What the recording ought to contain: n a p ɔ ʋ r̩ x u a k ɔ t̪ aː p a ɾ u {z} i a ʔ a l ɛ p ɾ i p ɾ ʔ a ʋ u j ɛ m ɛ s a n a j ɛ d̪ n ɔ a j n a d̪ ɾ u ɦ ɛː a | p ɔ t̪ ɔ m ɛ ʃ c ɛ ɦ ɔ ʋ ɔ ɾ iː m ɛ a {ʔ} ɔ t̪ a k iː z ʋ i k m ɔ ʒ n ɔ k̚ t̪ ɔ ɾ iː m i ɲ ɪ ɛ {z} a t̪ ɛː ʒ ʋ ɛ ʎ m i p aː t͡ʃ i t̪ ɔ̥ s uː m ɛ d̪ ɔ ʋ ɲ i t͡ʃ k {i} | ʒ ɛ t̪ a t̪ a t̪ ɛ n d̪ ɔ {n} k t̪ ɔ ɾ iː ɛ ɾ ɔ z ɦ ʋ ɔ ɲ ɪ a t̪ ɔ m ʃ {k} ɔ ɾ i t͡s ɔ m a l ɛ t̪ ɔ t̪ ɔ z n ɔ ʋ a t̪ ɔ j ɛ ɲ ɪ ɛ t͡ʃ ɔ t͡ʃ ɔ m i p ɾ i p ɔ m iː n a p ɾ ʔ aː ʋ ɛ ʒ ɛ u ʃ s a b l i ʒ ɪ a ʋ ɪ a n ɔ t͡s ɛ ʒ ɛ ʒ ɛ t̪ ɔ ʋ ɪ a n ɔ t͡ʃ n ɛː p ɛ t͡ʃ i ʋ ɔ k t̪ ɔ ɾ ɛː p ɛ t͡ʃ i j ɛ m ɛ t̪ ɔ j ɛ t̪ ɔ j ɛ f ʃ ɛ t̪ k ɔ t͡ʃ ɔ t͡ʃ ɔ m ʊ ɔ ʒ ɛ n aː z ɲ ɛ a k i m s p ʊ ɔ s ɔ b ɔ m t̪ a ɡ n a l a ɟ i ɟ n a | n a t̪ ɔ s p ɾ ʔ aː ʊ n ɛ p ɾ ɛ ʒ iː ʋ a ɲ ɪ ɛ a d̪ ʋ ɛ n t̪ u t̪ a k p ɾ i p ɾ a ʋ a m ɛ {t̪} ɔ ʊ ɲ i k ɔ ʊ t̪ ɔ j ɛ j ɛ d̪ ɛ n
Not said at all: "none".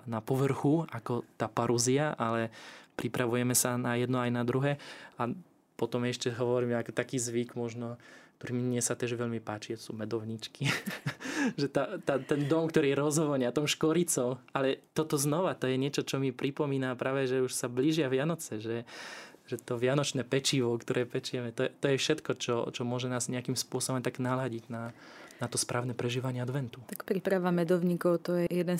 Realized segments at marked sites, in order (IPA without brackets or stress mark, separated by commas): z, k, s, i, m, k, d̪